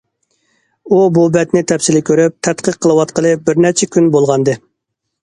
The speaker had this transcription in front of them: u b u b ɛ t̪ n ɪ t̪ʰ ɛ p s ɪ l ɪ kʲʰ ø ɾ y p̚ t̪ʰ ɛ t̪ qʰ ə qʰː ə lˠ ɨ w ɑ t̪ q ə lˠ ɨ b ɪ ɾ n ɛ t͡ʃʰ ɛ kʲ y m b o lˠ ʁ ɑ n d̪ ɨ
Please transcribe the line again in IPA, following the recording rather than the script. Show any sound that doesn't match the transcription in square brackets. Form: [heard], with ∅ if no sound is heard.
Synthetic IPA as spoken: u b u b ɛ t̪ n ɪ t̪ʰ ɛ p s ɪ l ɪ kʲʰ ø ɾ y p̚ t̪ʰ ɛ t̪ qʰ ə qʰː ə lˠ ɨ w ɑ t̪ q ə lˠ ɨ b ɪ ɾ n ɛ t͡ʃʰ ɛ kʲ y [n] b o lˠ ʁ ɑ n d̪ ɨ